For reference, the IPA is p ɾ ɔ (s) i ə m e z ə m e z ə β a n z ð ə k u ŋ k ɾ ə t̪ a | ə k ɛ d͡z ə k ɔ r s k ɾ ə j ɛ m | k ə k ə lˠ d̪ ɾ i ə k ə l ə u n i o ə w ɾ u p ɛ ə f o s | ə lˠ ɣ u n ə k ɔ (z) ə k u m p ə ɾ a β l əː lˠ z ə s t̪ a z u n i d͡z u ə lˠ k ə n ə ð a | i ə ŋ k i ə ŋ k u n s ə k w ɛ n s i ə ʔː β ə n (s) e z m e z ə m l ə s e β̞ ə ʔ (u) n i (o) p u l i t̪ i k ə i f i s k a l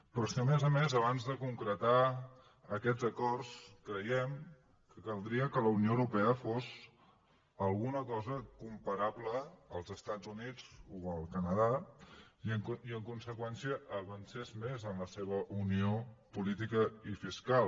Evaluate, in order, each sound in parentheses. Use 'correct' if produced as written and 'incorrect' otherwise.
correct, correct, correct, correct, correct

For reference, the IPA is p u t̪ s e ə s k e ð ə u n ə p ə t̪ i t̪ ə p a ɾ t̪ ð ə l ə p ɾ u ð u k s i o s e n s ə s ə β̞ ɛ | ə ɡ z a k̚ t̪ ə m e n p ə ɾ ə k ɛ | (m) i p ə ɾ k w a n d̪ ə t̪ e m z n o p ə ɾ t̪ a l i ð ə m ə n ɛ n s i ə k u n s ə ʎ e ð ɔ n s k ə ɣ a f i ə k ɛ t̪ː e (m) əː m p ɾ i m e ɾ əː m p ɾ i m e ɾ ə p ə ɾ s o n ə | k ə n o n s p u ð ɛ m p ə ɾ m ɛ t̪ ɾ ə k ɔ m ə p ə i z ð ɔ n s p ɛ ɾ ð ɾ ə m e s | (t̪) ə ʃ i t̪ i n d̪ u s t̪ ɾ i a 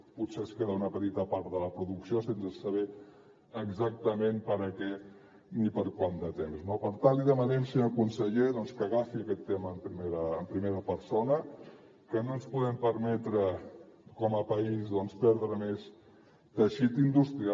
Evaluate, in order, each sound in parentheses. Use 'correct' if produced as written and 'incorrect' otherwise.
incorrect, correct, correct

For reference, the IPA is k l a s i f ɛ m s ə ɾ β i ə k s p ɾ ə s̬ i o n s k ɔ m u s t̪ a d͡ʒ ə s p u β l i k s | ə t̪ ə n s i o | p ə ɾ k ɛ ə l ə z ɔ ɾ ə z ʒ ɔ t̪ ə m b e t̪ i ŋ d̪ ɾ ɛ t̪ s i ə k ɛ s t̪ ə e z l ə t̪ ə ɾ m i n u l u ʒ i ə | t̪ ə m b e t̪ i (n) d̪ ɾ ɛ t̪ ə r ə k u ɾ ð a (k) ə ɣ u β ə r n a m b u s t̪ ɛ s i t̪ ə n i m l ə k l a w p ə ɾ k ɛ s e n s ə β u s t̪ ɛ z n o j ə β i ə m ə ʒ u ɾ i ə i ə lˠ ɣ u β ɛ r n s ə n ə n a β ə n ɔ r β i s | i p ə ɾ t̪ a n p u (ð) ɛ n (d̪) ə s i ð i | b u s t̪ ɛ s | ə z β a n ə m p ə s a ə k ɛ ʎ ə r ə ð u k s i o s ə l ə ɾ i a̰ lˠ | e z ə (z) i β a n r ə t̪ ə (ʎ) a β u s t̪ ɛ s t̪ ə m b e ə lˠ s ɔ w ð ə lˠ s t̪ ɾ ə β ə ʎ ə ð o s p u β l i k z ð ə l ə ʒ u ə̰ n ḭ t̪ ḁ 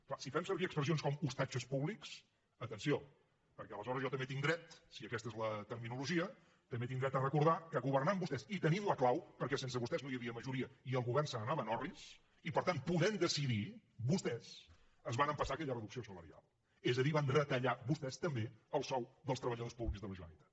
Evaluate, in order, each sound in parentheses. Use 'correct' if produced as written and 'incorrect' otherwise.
incorrect, correct, correct, correct, incorrect, correct

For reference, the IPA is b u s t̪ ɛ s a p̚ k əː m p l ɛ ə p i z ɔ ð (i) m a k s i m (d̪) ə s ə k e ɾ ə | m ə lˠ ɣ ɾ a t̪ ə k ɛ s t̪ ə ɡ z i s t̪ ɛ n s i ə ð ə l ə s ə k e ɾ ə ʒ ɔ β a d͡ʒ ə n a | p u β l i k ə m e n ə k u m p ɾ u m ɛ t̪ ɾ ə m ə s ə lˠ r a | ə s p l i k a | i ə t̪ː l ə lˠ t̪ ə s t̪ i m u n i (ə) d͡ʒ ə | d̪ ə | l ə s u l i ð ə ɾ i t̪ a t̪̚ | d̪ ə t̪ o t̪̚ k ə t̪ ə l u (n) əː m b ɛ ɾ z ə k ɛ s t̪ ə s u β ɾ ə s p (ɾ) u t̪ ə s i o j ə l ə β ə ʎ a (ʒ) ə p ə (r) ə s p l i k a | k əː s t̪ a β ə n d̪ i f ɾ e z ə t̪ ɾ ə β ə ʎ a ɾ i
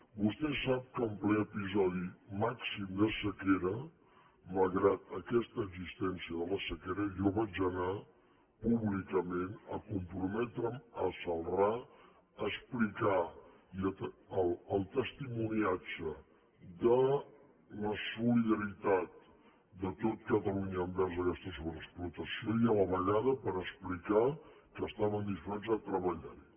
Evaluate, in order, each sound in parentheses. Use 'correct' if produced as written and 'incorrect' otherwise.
correct, correct, incorrect, incorrect, incorrect, incorrect, incorrect

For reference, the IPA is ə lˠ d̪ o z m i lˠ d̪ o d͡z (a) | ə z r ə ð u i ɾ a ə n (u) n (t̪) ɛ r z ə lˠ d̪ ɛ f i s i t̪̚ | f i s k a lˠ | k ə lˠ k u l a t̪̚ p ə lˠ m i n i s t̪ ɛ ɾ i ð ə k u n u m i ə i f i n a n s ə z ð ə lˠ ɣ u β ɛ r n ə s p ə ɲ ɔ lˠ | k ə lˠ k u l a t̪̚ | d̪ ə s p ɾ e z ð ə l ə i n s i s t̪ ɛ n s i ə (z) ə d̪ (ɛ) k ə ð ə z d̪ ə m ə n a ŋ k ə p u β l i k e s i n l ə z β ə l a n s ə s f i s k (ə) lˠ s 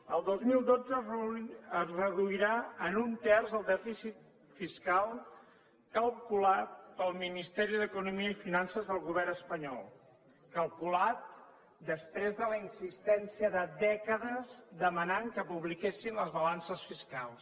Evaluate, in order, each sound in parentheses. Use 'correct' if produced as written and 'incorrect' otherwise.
incorrect, correct, correct, incorrect, correct, incorrect

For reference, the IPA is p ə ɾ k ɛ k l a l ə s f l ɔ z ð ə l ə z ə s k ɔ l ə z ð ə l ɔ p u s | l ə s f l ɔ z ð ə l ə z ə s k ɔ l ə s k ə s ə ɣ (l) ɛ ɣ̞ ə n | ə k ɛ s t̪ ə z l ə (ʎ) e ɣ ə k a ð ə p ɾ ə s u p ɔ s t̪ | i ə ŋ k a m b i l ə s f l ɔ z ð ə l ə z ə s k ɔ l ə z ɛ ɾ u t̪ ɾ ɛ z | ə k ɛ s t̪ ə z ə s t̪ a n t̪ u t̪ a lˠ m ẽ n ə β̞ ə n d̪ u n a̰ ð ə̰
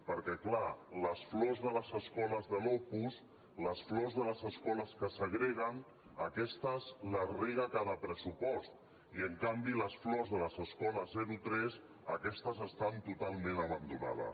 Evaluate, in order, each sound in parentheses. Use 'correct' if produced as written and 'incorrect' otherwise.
incorrect, incorrect

